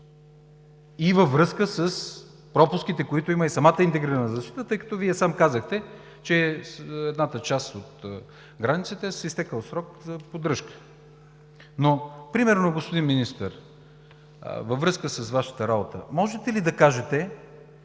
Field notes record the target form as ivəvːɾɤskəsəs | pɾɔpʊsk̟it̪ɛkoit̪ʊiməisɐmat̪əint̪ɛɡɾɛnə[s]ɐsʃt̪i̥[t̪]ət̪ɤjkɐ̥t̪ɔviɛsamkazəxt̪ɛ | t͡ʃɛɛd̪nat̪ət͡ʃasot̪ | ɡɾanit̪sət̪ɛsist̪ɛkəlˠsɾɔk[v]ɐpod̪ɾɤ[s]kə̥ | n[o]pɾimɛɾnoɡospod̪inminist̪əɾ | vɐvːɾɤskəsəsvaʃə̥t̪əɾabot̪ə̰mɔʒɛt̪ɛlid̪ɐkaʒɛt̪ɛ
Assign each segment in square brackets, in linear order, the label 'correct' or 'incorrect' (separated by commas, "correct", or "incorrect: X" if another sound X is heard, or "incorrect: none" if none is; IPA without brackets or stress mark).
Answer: incorrect: z, correct, incorrect: z, incorrect: ʃ, correct